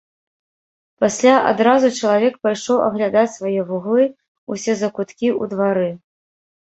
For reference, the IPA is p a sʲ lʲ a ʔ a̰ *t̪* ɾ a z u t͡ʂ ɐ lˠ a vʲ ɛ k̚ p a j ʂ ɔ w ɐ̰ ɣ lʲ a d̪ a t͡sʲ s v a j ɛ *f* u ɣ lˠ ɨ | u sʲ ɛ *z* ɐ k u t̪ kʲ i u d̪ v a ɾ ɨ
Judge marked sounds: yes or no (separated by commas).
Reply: no, no, yes